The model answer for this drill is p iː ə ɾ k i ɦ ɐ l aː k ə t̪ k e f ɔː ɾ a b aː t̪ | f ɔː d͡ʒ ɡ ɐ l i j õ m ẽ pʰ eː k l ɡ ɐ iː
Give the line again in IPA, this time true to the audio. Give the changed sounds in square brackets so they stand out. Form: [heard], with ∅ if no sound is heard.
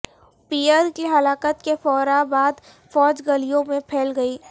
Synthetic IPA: p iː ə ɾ k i ɦ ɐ l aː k ə t̪ k e f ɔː ɾ a b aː [d̪] | f ɔː d͡ʒ ɡ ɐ l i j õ m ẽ pʰ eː [∅] l ɡ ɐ iː